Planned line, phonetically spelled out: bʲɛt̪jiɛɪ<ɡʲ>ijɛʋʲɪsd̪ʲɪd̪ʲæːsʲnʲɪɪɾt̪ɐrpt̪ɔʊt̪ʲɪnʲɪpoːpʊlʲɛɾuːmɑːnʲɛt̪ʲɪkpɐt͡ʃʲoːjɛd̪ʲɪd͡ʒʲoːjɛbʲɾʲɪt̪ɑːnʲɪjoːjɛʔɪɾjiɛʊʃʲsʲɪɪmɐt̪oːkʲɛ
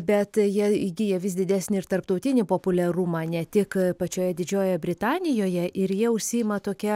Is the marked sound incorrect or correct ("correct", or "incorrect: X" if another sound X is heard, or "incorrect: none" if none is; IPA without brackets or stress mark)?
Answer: correct